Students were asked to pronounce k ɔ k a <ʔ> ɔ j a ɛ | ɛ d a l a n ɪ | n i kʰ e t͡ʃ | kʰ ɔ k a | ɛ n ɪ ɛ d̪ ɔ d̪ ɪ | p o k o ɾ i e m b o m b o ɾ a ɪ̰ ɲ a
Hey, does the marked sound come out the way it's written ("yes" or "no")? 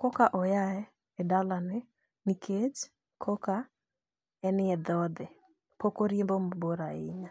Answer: yes